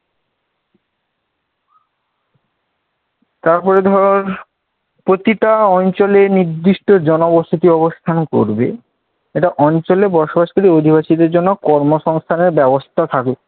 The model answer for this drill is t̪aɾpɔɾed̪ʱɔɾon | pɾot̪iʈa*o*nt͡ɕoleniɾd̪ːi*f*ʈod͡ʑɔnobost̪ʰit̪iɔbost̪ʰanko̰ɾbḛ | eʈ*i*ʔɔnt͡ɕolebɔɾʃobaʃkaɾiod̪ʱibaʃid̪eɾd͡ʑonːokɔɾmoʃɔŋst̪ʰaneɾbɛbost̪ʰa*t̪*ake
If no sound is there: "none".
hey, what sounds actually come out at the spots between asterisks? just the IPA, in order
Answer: ɔ, ʃ, a, t̪ʰ

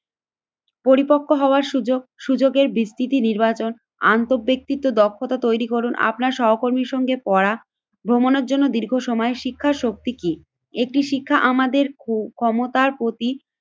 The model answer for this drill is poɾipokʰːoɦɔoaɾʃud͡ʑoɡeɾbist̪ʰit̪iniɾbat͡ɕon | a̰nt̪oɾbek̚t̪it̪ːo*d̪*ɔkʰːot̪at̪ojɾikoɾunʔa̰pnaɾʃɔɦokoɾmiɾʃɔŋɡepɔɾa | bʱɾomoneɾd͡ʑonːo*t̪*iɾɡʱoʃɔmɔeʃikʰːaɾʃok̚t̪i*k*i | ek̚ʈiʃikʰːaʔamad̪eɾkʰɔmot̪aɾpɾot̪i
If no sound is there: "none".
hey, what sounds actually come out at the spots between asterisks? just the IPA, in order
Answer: d̪, d̪, k

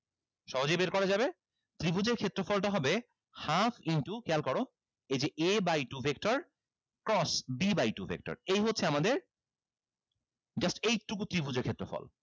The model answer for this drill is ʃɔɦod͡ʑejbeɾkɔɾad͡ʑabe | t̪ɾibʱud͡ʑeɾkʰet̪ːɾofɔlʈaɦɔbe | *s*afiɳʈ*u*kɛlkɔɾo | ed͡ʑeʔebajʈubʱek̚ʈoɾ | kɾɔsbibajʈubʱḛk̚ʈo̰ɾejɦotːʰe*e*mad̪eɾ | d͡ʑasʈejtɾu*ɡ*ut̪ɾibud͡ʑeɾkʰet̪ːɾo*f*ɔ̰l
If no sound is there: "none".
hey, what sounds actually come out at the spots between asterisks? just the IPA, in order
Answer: h, u, a, k, f

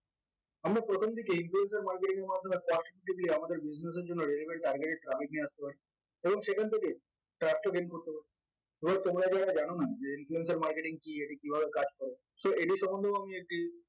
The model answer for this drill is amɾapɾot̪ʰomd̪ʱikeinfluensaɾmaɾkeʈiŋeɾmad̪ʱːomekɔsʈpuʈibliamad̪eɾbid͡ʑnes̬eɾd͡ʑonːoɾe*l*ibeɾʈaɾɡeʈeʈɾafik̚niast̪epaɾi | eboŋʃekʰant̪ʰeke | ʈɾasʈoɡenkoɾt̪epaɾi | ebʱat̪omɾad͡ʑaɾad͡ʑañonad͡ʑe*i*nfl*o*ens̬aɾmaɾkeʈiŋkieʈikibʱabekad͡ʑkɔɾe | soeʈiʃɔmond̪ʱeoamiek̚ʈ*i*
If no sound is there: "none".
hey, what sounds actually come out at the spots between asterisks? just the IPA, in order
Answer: l, i, u, i

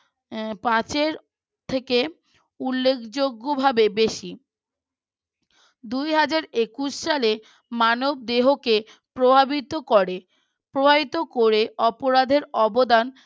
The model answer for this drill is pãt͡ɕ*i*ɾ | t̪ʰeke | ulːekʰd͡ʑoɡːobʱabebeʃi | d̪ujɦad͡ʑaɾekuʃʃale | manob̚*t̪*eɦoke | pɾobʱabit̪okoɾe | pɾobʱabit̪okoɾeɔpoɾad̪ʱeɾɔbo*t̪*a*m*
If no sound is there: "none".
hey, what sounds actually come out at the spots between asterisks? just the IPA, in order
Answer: e, d̪, d̪, n

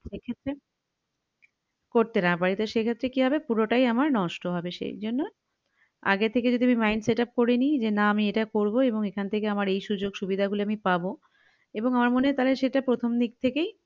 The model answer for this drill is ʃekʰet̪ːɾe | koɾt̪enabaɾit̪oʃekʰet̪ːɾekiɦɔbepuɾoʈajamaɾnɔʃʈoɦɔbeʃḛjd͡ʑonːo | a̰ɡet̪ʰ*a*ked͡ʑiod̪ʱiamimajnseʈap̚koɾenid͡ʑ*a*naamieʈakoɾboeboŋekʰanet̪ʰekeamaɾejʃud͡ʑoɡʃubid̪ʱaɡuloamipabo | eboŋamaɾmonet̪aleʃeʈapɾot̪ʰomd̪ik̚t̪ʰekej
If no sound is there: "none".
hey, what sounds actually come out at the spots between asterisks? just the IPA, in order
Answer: e, e

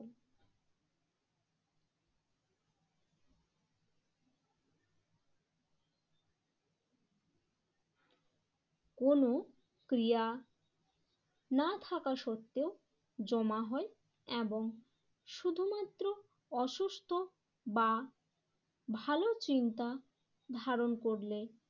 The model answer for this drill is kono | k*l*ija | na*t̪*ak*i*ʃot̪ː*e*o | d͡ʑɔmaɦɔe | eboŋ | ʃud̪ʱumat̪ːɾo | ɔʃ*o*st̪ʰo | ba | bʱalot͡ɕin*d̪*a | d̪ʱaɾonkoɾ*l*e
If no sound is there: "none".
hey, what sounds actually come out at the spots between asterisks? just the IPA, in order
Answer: ɾ, t̪ʰ, a, e, u, t̪, l

